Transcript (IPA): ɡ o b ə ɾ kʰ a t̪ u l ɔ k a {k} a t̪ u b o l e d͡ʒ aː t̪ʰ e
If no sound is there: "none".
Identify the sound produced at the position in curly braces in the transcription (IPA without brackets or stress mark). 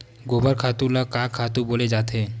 kʰ